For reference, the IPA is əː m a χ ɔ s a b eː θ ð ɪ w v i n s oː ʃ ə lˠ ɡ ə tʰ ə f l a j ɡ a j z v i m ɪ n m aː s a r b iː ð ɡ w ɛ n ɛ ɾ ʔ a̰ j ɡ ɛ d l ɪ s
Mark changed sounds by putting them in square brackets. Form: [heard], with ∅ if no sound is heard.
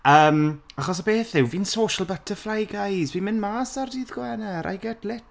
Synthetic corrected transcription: əː m a χ ɔ s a b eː θ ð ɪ w v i n s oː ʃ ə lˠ [b] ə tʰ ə f l a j ɡ a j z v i m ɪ n m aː s a r [d] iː ð ɡ w ɛ n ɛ ɾ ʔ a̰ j ɡ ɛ d l ɪ [t]

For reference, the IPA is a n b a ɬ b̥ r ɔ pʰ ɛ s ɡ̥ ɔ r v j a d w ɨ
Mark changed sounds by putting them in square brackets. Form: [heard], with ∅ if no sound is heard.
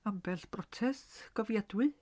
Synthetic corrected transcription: a [m] b [ɛ] ɬ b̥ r ɔ [tʰ] ɛ s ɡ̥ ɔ [∅] v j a d w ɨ

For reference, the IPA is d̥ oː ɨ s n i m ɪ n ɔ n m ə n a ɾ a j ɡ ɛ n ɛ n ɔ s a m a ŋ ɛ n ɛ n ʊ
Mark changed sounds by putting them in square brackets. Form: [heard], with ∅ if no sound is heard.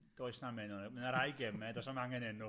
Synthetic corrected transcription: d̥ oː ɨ s n [a] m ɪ n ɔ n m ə n a ɾ a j ɡ ɛ [m] ɛ [d] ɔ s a m a ŋ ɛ n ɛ n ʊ

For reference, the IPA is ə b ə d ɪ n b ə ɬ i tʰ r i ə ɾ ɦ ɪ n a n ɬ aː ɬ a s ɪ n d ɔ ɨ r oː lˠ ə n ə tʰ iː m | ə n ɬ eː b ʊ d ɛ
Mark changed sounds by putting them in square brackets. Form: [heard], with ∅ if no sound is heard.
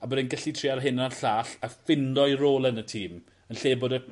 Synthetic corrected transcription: [a] b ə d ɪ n [ɡ] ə ɬ i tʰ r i [a] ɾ ɦ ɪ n a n ɬ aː ɬ a [f] ɪ n d ɔ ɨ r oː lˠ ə n ə tʰ iː m | ə n ɬ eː b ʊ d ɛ

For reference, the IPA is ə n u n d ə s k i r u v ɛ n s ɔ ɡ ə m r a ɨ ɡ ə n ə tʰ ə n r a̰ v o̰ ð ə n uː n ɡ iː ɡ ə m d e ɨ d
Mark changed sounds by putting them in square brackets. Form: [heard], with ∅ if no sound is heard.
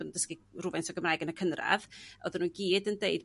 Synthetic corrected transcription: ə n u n d ə s k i r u v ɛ n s ɔ ɡ ə m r a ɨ ɡ ə n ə [kʰ] ə n r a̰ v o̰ ð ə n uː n ɡ iː [d] ə [n] d e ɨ d

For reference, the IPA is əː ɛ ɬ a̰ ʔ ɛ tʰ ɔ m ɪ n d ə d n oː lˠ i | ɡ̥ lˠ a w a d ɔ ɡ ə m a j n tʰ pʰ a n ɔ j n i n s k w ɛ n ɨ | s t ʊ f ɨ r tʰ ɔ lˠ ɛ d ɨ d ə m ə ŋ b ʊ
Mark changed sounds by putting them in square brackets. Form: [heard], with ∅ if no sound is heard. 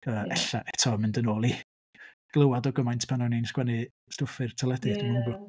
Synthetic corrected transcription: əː ɛ ɬ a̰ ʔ ɛ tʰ ɔ m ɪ n d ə [∅] n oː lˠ i | ɡ̥ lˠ [ə] w a d ɔ ɡ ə m a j n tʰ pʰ a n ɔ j n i n s k w ɛ n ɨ | s t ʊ f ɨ r tʰ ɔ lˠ ɛ d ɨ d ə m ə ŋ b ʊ

